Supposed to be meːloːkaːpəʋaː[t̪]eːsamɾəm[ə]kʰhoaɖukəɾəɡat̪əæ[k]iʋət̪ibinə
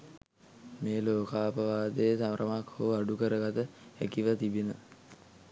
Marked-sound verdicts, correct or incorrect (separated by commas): incorrect, incorrect, correct